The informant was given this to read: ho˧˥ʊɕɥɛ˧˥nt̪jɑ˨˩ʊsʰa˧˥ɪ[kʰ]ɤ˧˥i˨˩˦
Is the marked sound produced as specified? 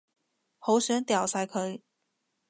yes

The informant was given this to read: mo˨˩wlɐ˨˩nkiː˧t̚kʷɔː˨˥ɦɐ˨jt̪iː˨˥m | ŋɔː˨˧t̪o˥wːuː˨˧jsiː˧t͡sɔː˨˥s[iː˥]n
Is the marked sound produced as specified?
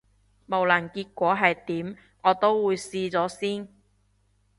yes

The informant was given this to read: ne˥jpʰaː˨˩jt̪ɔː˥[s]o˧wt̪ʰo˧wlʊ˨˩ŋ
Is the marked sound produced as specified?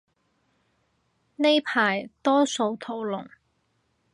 yes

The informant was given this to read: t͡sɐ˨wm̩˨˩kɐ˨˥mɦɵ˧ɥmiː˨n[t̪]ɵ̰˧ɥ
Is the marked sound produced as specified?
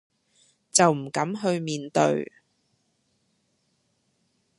yes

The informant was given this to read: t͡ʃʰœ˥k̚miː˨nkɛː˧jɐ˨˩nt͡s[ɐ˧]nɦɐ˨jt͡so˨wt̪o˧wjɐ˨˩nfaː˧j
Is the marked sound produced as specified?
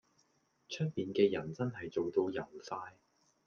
no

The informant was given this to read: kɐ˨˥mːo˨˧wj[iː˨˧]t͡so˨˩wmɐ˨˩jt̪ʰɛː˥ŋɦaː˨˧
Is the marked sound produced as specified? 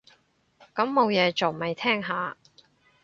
no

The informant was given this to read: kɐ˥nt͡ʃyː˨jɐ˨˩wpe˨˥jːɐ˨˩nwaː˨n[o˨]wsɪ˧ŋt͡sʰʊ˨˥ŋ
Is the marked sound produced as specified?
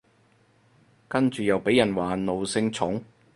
yes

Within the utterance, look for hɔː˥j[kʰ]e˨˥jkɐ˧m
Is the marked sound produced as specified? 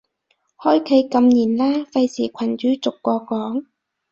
yes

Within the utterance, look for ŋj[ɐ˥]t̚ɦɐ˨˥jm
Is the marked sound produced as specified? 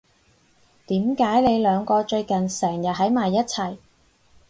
no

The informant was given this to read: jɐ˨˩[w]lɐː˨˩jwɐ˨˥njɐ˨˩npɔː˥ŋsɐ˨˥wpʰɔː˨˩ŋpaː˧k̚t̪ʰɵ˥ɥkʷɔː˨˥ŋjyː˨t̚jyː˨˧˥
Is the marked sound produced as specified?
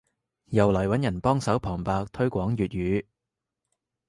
yes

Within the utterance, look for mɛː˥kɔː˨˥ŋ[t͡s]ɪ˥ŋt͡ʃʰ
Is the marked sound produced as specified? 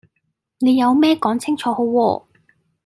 no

